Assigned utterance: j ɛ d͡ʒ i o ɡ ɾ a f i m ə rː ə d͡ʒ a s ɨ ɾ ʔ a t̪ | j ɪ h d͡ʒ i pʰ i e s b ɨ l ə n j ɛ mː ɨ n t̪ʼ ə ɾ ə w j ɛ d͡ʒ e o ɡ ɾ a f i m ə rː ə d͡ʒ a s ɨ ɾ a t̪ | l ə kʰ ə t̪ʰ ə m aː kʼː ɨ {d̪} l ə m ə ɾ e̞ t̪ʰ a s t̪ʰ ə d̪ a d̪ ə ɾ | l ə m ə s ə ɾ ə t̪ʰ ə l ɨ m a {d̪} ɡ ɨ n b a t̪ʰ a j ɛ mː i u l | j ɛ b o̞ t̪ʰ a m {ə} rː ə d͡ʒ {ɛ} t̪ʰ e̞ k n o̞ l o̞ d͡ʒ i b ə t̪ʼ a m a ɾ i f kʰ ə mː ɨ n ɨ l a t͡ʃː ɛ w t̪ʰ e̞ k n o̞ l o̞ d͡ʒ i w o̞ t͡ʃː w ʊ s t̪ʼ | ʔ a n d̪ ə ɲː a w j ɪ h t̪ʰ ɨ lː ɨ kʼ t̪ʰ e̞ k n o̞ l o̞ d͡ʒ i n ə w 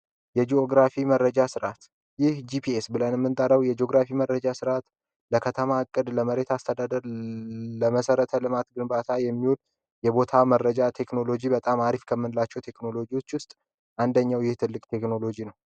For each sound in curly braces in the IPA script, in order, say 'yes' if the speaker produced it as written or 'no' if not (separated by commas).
yes, no, yes, no